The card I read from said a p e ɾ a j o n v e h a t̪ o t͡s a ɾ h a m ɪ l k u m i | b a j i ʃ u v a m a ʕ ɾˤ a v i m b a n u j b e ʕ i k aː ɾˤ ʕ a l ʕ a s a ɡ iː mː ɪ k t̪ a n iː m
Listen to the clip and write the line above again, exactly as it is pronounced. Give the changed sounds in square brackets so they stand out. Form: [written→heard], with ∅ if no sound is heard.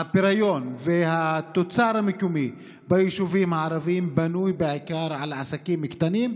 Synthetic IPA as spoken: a p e ɾ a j o n v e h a t̪ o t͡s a ɾ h a m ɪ [l→∅] k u m i | b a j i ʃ u v [a→i] m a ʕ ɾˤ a v i m b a n u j b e ʕ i k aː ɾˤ ʕ a l ʕ a s a [ɡ→k] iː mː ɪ k t̪ a n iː m

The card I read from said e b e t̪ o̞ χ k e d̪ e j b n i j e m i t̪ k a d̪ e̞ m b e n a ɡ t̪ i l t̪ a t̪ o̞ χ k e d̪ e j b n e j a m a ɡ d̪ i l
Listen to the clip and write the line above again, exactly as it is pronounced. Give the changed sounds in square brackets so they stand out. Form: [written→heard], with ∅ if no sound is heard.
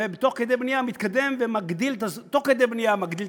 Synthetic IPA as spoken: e b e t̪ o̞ χ k e d̪ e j b n i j [e→a] m i t̪ k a d̪ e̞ m [b→v] e [n→m] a ɡ [t̪→d̪] i l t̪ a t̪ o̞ χ k e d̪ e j b n [e→i] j a m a ɡ d̪ i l

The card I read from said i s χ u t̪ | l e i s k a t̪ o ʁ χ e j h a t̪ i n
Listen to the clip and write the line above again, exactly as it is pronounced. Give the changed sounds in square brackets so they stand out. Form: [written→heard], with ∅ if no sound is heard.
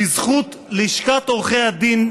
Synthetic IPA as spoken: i [s→z] χ u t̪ | l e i [s→ʃ] k a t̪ o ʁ χ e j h a [t̪→d̪] i n

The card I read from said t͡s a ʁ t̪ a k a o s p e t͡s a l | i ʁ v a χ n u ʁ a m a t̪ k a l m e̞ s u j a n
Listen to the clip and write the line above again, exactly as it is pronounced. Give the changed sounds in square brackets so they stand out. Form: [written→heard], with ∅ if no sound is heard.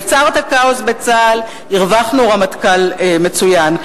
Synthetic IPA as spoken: t͡s a ʁ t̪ a k a o s [p→b] e t͡s a l | i ʁ v a χ n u ʁ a m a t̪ k a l m e̞ [s→t͡s] u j a n

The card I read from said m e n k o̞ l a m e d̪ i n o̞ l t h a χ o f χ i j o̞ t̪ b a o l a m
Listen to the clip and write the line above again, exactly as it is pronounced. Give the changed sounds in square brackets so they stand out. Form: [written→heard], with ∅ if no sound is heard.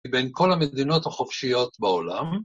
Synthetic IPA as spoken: [m→b] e n k o̞ l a m e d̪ i n o̞ [l→∅] t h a χ o f [χ→ʃ] i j o̞ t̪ b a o l a m

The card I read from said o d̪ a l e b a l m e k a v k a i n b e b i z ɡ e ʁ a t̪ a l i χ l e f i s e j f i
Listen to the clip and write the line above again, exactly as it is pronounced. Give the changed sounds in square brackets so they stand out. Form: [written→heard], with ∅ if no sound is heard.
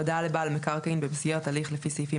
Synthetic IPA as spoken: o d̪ a l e b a l m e k a [v→ʁ] k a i n b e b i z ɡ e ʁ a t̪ a l i χ l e f i s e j f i

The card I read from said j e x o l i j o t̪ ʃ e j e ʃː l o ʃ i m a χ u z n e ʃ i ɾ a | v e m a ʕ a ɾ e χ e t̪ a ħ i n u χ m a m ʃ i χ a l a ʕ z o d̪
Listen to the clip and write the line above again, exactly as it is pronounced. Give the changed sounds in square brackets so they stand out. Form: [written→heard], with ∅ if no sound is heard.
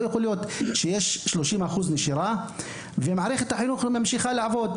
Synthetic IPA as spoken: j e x o l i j o t̪ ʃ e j e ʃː l o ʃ i m a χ u z n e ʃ i ɾ a | v e m a ʕ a ɾ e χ e t̪ a ħ i n u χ m a m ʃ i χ a l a ʕ [z→v] o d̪

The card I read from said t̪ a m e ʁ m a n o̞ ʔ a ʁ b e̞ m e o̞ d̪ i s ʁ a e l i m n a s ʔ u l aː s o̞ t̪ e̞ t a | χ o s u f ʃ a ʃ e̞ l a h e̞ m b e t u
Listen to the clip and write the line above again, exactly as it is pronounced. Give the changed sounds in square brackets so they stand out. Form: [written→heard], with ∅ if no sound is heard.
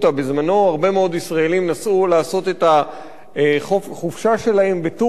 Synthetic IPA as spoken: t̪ a [m→b] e [ʁ→z] m a n o̞ [ʔ→∅] a ʁ b e̞ m e o̞ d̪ i s ʁ a e l i m n a s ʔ u l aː s o̞ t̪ e̞ t a | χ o [s→χ] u f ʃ a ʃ e̞ l a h e̞ m b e t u

